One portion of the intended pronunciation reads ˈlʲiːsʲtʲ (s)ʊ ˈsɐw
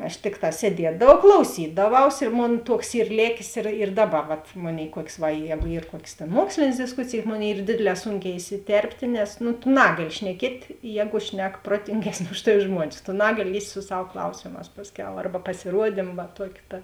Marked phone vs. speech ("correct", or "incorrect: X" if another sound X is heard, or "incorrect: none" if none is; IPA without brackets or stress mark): correct